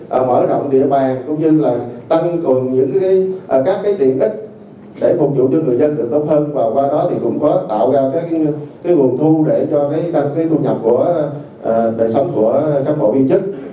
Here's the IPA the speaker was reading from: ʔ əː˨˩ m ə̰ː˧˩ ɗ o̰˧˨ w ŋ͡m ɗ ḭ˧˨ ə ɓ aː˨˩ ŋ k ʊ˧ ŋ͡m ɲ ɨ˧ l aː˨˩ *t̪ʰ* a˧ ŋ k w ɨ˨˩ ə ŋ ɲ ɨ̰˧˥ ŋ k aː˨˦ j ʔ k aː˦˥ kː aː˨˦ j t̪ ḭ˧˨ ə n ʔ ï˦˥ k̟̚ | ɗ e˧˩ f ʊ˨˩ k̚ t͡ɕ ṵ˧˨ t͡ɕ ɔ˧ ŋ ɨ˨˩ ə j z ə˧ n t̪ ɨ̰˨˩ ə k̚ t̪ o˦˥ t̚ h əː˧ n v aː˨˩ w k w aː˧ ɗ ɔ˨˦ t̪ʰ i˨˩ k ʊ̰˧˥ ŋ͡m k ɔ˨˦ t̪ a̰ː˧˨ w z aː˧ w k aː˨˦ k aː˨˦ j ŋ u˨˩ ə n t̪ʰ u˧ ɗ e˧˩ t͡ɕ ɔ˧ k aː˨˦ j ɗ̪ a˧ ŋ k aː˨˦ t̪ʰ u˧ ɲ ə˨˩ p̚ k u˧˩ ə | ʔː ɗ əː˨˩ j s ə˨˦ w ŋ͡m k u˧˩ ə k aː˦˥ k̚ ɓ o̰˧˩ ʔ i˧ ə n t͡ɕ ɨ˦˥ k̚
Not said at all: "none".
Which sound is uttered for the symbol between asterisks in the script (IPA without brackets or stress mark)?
t̪